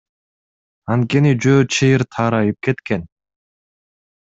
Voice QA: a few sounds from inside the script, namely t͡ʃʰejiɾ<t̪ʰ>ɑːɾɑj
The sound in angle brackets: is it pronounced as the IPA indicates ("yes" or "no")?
yes